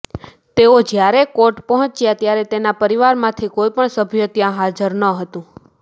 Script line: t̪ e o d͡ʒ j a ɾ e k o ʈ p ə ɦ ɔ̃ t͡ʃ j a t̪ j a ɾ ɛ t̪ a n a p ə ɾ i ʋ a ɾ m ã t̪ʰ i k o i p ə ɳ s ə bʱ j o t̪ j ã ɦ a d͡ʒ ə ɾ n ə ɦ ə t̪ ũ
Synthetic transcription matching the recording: t̪ e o d͡ʒ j a ɾ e k o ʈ p ə ɦ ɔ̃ t͡ʃ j a t̪ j a ɾ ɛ t̪ e n a p ə ɾ i ʋ a ɾ m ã t̪ʰ i k o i p ə ɳ s ə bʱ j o t̪ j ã ɦ a d͡ʒ ə ɾ n ə ɦ ə t̪ ũ